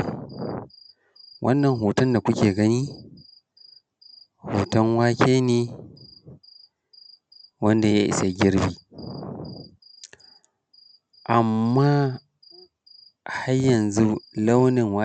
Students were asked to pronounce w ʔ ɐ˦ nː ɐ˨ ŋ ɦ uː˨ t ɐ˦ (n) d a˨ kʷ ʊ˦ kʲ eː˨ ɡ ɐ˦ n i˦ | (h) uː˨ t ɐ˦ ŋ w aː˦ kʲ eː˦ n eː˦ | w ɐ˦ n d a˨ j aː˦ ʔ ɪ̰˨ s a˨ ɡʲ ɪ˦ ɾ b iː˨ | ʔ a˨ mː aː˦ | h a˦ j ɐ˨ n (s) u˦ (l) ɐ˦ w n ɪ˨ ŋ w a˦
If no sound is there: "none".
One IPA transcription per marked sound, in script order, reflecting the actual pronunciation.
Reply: n, h, z, l

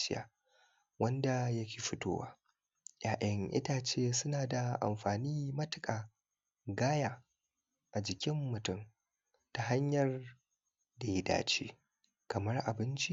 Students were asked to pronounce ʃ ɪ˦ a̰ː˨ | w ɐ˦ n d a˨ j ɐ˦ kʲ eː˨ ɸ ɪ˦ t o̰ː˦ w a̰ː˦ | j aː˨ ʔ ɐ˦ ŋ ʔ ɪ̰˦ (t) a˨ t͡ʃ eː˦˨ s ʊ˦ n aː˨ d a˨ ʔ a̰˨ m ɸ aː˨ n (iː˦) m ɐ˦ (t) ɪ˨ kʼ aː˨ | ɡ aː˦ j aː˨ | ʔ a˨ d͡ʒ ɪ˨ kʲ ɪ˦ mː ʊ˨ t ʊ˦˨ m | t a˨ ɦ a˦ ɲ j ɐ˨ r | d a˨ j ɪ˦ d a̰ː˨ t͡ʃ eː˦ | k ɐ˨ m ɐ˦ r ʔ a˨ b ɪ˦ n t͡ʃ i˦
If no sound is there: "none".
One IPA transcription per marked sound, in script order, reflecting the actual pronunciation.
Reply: t, iː˦, t

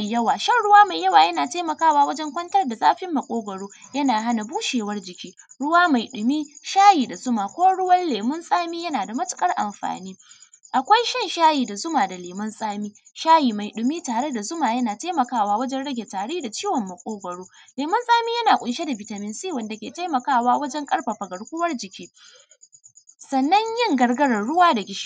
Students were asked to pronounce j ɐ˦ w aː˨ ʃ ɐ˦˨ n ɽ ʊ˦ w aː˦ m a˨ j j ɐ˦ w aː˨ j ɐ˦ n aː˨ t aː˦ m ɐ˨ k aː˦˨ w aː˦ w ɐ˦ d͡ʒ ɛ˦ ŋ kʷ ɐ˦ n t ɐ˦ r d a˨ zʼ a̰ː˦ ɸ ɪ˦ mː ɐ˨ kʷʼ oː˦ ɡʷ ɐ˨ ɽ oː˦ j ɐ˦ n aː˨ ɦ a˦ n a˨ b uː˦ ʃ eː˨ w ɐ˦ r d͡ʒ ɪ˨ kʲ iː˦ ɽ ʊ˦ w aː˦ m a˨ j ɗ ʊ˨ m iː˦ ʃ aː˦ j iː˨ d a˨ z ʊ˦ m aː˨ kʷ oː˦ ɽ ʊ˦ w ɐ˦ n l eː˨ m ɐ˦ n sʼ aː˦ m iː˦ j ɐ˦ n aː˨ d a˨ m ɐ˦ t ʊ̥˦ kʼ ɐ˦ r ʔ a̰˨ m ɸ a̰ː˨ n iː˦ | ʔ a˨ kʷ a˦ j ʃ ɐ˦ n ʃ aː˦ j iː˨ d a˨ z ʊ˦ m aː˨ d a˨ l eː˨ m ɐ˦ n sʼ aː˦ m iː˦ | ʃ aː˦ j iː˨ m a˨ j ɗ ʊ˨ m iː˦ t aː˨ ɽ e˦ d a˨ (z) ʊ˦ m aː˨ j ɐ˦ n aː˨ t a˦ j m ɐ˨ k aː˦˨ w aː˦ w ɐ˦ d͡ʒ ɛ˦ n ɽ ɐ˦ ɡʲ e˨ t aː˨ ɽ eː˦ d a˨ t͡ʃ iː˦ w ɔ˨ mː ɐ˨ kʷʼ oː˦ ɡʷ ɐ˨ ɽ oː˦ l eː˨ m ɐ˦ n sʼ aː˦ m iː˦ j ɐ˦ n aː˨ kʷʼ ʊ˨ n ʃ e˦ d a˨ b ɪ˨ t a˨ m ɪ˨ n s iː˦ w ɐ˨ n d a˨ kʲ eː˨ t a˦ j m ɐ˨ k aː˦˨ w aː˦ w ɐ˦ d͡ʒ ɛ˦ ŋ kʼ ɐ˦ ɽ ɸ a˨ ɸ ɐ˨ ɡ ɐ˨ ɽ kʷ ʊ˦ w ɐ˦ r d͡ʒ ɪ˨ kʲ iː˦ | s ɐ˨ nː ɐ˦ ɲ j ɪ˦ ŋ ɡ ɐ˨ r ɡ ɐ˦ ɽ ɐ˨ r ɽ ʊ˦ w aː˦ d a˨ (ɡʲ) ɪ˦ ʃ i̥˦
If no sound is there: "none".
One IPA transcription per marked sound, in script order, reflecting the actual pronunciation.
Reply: z, ɡʲ

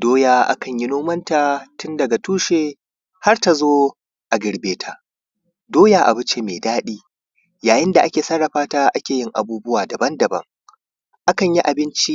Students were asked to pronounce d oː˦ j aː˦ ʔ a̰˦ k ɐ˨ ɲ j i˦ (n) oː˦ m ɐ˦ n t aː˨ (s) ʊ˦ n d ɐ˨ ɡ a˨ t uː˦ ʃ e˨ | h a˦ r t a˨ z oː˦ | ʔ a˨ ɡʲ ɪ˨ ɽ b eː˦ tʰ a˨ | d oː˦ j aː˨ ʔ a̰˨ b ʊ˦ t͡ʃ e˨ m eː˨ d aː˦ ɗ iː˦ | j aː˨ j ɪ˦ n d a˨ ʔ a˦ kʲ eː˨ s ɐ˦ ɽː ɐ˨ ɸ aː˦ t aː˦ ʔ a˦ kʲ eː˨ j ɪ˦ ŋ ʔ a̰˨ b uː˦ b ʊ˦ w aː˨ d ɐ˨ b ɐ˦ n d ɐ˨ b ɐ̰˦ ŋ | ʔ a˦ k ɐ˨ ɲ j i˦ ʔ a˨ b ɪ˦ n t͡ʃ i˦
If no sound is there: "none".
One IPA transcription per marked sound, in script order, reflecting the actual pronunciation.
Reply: n, t

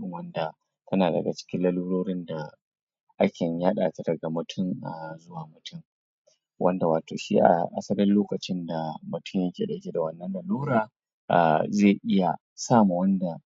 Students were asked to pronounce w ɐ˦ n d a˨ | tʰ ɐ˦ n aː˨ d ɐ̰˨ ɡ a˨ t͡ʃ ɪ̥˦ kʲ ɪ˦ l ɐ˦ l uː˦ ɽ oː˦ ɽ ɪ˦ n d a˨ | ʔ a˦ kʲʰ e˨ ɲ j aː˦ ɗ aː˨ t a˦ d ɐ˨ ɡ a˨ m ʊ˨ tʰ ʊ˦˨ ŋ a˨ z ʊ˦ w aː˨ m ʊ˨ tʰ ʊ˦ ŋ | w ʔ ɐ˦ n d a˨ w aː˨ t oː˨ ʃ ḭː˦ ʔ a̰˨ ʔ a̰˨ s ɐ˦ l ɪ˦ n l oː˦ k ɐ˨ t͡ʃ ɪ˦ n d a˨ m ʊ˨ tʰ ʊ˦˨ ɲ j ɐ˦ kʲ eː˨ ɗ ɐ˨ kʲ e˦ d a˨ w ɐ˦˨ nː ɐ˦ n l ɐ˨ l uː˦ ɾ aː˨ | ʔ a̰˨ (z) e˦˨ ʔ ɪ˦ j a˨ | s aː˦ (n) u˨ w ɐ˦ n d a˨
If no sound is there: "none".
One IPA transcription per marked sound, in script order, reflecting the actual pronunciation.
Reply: z, m

